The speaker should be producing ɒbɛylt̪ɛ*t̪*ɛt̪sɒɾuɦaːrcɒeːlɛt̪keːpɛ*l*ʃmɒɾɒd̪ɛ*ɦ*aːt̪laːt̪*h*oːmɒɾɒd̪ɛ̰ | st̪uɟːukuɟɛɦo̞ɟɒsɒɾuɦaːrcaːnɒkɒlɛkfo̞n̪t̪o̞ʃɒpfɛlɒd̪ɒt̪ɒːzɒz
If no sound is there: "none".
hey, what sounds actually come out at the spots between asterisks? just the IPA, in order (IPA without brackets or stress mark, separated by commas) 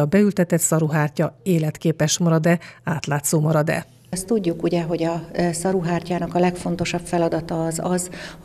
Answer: t̪, none, none, s